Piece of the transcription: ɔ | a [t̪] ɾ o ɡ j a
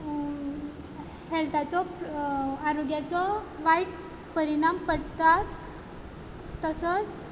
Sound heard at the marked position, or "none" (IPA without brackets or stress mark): none